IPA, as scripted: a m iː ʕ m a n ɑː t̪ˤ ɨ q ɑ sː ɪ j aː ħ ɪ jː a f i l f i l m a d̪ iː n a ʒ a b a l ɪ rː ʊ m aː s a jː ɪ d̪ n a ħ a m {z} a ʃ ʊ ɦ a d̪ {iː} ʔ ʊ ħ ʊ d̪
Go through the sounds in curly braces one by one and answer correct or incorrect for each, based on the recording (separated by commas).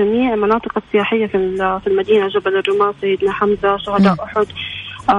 correct, incorrect